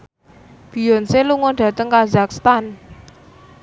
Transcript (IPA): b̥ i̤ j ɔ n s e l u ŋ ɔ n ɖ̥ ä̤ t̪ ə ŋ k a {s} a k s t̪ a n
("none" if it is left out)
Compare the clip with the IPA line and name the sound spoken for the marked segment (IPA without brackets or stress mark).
z